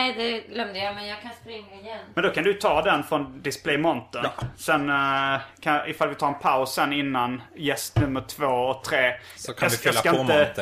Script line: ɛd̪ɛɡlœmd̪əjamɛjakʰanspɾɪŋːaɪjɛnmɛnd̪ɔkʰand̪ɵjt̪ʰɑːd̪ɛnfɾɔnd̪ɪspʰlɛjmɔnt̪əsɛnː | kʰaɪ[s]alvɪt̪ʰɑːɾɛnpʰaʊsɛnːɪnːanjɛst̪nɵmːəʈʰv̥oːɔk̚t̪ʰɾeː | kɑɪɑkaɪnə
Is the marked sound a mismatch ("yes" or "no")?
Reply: yes